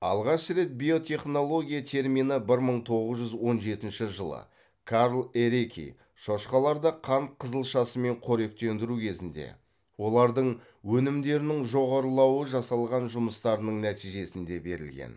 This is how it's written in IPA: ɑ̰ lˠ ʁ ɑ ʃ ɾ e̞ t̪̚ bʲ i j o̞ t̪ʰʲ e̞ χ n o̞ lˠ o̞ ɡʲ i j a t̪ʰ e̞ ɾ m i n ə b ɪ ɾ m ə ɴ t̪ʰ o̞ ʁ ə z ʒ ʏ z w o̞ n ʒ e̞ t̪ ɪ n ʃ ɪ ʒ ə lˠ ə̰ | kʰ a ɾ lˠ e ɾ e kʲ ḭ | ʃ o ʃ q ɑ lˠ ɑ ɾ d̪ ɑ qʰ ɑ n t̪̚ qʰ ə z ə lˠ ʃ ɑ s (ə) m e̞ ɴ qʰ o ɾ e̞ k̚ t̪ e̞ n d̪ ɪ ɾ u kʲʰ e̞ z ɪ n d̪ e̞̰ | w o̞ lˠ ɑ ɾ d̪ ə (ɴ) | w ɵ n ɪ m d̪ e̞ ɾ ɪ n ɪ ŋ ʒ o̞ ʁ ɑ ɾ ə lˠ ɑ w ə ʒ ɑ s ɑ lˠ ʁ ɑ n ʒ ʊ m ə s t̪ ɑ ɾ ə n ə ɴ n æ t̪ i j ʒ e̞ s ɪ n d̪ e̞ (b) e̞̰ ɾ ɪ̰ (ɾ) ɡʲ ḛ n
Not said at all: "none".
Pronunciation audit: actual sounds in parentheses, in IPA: ə, ɴ, b, l

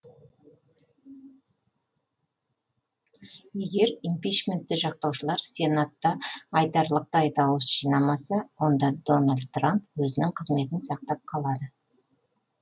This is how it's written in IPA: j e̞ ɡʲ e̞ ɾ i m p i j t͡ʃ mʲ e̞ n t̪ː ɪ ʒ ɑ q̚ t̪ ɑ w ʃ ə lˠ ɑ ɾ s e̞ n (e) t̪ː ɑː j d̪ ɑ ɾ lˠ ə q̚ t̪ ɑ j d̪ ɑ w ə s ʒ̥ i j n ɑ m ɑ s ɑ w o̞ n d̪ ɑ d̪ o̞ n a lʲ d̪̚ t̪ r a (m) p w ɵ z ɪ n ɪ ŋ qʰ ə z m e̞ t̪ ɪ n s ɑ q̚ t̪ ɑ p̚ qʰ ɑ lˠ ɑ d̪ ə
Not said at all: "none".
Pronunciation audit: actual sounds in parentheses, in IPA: a, m

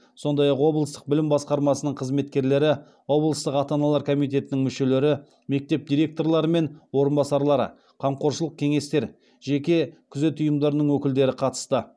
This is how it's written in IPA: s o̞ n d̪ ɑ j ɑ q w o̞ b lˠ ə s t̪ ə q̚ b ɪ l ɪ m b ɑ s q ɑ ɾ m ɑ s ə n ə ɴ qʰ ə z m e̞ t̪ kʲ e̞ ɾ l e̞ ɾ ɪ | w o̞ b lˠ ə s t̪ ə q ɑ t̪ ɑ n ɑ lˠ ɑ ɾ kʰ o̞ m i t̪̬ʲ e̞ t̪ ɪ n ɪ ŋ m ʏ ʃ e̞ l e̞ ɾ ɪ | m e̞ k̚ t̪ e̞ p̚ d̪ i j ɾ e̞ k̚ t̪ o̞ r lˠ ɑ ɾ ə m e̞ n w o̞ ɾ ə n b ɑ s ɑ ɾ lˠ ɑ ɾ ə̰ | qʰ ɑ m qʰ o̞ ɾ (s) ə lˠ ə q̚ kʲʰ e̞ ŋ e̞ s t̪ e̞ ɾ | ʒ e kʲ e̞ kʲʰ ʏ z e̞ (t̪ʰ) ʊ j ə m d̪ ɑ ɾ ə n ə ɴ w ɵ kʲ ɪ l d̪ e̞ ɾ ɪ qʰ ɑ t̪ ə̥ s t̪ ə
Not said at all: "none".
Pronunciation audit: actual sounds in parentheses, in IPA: ʃ, t̪

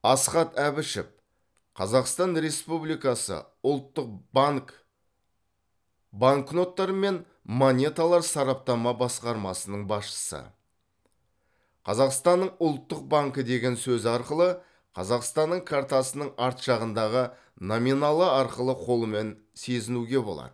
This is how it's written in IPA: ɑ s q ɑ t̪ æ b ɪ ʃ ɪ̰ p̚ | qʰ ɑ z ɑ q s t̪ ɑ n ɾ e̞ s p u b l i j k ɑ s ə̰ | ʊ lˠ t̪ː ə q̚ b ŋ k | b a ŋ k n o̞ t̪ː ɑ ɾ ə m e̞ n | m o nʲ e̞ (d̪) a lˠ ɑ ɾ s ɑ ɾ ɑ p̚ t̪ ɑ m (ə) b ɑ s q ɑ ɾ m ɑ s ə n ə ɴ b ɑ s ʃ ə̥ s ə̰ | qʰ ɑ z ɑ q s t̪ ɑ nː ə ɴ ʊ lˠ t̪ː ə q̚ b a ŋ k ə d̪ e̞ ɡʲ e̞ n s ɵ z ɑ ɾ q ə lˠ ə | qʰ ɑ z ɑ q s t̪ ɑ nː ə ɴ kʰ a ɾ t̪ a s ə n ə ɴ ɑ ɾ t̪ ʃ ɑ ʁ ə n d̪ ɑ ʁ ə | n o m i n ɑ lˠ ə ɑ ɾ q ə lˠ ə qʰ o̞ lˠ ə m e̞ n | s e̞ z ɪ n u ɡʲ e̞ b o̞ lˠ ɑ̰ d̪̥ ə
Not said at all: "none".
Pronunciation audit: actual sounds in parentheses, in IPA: t̪, ɑ

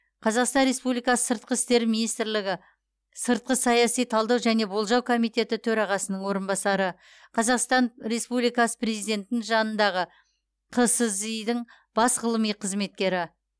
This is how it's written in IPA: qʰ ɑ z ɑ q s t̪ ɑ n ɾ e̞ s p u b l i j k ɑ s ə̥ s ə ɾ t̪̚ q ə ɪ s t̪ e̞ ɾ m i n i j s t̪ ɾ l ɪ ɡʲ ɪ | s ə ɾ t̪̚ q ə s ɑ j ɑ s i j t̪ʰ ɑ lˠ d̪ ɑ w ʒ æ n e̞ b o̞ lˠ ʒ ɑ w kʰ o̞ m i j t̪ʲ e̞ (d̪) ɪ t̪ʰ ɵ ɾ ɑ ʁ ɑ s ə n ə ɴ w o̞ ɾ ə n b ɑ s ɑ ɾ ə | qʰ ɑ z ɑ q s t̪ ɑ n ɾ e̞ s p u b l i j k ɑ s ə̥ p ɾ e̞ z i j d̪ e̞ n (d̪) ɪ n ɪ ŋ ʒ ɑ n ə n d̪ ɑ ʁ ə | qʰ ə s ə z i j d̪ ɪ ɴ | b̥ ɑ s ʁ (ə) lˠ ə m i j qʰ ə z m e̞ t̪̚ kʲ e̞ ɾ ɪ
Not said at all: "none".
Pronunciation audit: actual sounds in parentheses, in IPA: t̪, t̪, ə

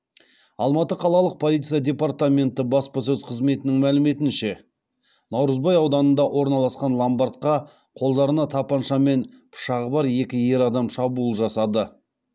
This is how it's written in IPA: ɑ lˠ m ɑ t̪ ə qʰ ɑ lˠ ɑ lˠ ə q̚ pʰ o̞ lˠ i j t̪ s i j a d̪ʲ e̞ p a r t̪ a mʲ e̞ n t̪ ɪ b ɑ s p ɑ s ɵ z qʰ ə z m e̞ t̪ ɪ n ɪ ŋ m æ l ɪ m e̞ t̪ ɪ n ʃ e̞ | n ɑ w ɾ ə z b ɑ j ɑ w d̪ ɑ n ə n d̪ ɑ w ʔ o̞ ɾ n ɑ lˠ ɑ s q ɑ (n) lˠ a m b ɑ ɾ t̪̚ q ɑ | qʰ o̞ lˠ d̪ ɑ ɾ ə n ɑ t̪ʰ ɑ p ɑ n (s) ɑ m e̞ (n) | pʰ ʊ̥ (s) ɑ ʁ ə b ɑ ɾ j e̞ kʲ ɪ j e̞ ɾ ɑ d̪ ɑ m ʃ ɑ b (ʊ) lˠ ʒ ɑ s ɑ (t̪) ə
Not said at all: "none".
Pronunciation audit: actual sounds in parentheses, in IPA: n, ʃ, n, ʃ, u, d̪

